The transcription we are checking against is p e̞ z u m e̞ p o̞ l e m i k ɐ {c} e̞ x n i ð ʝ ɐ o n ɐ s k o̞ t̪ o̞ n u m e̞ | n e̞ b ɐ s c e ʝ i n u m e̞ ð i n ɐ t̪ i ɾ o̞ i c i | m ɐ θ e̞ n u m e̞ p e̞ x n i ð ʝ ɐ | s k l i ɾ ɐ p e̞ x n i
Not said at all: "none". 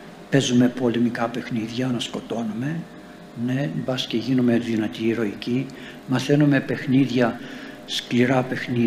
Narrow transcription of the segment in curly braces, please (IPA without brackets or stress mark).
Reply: p